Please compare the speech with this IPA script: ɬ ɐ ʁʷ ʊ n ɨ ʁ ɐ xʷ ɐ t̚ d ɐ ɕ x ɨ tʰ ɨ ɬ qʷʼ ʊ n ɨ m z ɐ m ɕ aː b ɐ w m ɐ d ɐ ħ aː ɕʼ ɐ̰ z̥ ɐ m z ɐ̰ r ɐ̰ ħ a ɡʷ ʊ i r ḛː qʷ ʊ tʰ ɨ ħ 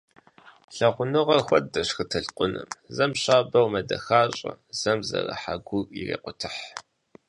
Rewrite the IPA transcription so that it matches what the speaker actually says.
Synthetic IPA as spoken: ɬ ɐ ʁʷ ʊ n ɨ ʁ ɐ xʷ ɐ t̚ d ɐ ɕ x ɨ tʰ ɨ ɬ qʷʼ ʊ n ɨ m z ɐ m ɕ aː b ɐ w m ɐ d ɐ x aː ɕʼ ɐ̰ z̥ ɐ m z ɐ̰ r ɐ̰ ħ a ɡʷ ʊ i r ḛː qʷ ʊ tʰ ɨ ħ

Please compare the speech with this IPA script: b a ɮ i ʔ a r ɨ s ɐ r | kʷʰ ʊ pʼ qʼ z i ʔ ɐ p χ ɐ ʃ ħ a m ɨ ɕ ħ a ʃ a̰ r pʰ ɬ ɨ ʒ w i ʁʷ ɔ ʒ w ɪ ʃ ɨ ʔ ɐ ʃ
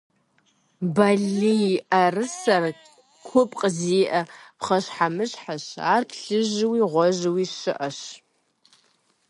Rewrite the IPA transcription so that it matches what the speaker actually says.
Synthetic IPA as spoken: b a ɮ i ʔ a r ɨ s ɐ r | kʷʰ ʊ pʼ qʼ z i ʔ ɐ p χ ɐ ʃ ħ a m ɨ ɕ ħ a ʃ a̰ r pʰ ɬ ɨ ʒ w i ʁʷ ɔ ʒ w i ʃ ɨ ʔ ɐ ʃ

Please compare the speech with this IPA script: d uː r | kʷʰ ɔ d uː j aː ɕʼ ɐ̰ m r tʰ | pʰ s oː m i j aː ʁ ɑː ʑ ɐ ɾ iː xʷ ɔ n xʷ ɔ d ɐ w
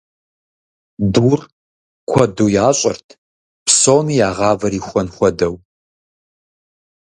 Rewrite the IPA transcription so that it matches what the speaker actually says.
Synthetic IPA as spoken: d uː r | kʷʰ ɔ d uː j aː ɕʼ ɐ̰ r tʰ | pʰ s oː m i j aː ʁ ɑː v ɐ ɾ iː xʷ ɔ n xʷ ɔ d ɐ w

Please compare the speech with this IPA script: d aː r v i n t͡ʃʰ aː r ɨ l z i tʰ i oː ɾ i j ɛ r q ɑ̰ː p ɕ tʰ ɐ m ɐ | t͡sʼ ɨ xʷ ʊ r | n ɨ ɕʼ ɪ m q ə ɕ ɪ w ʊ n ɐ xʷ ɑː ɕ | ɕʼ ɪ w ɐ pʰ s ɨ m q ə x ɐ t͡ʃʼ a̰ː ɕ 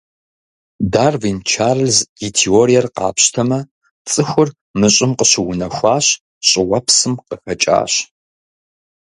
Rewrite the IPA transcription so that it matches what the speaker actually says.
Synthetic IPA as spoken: d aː r v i n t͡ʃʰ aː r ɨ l z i tʰ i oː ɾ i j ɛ r q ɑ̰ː p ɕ tʰ ɐ m ɐ | t͡sʼ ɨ xʷ ʊ r | m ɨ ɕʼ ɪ m q ə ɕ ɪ w ʊ n ɐ xʷ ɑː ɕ | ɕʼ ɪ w ɐ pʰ s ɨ m q ə x ɐ t͡ʃʼ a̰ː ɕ

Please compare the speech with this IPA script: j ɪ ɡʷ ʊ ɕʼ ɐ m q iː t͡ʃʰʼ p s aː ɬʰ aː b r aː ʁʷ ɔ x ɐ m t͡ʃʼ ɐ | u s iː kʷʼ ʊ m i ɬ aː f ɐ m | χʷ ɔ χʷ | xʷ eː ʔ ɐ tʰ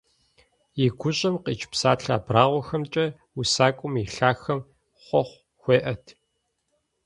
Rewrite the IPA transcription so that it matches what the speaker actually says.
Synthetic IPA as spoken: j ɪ ɡʷ ʊ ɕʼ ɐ m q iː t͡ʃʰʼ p s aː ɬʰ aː b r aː ʁʷ ɔ x ɐ m t͡ʃʼ ɐ | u s aː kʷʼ ʊ m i ɬ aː x ɐ m | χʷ ɔ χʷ | xʷ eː ʔ ɐ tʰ

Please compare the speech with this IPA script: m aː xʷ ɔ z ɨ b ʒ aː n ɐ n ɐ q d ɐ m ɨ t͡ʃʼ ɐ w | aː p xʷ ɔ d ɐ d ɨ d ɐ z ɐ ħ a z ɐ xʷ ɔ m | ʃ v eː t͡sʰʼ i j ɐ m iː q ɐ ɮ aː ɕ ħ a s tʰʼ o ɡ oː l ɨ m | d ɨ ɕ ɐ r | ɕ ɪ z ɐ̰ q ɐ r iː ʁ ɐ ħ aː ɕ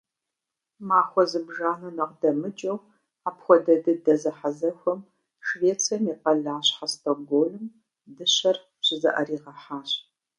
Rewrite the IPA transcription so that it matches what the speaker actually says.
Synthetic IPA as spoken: m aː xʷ ɔ z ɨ b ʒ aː n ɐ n ɐ q d ɐ m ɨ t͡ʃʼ ɐ w | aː p xʷ ɔ d ɐ d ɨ d ɐ z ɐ ħ a z ɐ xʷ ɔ m | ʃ v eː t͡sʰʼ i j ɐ m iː q ɐ ɮ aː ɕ ħ a s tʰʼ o ɡ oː l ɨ m | d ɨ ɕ ɐ r | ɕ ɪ z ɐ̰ ʔ ɐ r iː ʁ ɐ ħ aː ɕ

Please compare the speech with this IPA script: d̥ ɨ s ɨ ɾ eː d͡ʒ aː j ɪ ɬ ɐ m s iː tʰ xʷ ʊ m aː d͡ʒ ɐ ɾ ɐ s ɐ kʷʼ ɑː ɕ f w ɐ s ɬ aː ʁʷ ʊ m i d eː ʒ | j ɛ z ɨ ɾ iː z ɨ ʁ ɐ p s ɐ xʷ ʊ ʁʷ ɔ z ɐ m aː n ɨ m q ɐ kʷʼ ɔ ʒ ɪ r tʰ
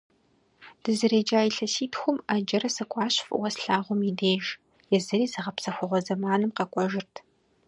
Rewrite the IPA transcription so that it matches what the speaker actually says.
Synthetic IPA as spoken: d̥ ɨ z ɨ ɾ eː d͡ʒ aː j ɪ ɬ ɐ s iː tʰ xʷ ʊ m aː d͡ʒ ɐ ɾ ɐ s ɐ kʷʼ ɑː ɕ f w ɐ s ɬ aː ʁʷ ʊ m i d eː ʒ | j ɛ z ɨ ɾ iː z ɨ ʁ ɐ p s ɐ xʷ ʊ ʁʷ ɔ z ɐ m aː n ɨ m q ɐ kʷʼ ɔ ʒ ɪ r tʰ

